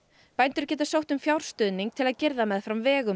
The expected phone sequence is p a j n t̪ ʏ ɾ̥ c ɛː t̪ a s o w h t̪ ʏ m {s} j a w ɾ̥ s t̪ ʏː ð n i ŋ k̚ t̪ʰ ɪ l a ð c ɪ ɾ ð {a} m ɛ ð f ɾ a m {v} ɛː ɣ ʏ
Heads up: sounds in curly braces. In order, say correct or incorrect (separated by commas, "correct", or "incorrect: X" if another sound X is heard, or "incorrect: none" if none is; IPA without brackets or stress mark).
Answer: incorrect: f, correct, correct